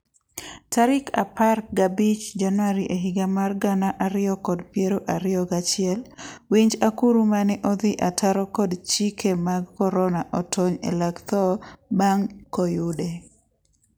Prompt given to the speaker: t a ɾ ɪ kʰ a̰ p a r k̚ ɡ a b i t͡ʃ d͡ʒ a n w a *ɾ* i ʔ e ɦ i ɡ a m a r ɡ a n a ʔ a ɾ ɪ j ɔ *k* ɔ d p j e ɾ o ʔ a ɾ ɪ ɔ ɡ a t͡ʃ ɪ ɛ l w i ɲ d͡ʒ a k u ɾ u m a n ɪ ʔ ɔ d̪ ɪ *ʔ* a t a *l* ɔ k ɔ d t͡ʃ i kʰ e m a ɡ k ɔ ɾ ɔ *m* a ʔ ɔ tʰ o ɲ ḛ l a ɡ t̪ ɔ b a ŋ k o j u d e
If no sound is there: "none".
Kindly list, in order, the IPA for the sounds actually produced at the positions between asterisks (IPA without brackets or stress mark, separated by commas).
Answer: ɾ, k, ʔ, ɾ, n